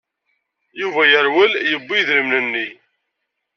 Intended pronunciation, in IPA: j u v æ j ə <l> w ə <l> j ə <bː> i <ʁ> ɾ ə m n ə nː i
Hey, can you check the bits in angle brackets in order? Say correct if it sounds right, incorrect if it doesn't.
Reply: incorrect, correct, correct, incorrect

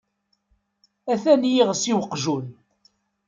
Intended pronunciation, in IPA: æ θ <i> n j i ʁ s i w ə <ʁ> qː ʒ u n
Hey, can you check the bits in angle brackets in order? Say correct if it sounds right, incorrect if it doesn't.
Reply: incorrect, incorrect

